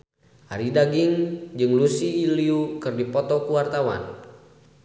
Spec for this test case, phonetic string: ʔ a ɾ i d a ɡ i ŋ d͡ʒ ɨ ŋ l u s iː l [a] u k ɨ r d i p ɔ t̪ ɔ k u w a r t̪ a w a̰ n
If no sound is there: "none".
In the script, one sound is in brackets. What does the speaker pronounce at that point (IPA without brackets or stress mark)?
i